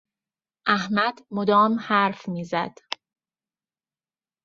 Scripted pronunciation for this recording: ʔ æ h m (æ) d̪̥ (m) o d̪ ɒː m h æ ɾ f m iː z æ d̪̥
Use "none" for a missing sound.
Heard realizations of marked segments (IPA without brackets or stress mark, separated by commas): æ, m